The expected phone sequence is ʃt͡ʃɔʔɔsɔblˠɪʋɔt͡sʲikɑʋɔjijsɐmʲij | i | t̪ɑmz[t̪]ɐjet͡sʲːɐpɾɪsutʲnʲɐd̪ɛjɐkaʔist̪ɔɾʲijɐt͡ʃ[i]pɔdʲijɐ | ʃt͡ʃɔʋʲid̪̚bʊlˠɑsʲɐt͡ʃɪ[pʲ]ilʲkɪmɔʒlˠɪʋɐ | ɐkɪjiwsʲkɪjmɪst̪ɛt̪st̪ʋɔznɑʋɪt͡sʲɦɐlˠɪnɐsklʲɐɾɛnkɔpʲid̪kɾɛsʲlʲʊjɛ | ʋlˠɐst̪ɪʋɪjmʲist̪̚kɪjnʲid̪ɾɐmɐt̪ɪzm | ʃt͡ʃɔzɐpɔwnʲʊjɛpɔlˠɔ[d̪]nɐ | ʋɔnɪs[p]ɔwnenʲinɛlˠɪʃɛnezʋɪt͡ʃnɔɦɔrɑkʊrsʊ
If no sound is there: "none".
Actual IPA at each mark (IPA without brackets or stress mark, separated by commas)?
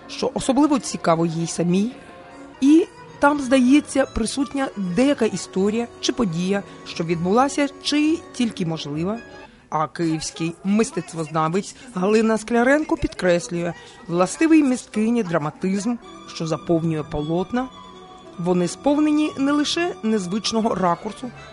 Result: d̪, ɪ, tʲ, t̪, p